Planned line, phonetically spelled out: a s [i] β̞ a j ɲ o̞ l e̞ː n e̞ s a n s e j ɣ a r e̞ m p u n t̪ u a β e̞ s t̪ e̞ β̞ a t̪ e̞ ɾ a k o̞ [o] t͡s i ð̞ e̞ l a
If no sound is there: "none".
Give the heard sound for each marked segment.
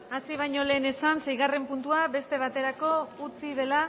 i, u

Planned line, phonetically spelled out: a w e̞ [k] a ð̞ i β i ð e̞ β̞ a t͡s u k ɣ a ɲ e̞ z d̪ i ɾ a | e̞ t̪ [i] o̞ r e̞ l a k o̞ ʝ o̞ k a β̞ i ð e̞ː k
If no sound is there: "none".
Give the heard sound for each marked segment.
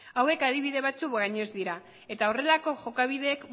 k, a

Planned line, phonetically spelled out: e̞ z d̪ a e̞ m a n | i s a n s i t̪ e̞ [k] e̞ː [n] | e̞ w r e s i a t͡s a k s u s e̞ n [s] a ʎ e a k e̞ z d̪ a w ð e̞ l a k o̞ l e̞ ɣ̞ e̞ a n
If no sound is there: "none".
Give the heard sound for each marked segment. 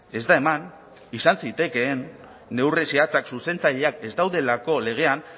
k, nː, t͡s

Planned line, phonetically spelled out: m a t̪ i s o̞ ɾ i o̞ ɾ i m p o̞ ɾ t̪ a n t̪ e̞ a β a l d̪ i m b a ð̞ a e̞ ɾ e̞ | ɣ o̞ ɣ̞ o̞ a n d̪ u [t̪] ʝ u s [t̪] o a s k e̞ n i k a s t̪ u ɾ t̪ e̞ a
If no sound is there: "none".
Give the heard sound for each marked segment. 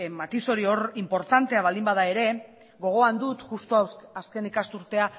t̪, t̪

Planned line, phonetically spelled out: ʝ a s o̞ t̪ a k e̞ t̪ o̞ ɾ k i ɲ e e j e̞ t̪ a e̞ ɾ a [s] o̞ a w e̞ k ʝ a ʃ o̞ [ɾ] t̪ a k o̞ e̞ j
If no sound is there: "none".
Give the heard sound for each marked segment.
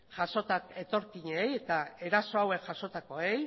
s, none

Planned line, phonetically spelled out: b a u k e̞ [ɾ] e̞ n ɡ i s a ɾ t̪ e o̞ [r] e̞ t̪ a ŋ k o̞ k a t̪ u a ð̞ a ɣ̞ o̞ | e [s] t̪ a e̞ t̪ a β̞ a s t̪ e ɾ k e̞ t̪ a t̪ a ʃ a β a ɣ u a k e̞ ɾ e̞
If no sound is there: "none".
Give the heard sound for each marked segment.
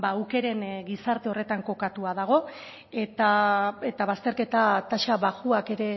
ɾ, r, none

